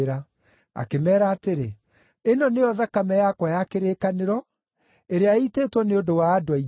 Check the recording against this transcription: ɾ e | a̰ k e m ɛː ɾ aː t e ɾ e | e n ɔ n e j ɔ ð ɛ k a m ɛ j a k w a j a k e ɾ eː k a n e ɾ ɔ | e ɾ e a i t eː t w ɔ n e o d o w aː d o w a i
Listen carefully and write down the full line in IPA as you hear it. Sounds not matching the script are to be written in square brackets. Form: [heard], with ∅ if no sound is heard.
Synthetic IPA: ɾ [a] | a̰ k e m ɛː ɾ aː t e ɾ e | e n ɔ n e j ɔ ð [a] k a m ɛ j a k w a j a k e ɾ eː k a n e ɾ ɔ | e ɾ e a i t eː t w ɔ n e o d o w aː d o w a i